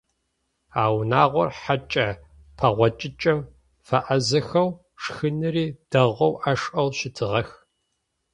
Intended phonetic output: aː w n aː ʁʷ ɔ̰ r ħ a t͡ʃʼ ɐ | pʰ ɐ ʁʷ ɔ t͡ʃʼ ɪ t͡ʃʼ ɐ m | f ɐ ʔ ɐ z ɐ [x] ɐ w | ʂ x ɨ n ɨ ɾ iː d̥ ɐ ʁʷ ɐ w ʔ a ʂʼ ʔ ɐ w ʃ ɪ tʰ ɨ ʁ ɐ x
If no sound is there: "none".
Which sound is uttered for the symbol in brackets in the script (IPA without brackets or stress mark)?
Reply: x